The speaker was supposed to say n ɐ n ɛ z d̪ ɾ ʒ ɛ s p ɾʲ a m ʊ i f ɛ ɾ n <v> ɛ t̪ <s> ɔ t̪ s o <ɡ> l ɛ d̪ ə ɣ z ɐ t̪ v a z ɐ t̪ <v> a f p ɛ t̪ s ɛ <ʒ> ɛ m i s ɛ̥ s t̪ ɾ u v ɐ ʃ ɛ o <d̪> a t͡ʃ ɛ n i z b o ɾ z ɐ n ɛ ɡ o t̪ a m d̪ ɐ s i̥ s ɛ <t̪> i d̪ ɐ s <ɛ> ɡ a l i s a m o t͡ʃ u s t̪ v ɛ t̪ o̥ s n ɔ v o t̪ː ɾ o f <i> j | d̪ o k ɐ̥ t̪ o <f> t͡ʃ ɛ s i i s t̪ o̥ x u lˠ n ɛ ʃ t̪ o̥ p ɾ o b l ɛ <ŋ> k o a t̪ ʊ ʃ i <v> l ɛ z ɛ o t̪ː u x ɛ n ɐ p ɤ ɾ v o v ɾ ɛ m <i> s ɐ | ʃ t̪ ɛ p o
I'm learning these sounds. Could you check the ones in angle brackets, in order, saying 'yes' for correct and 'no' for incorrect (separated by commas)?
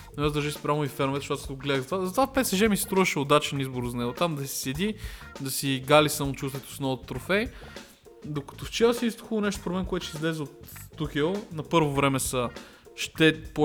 yes, no, yes, yes, yes, yes, no, no, no, yes, no, no, no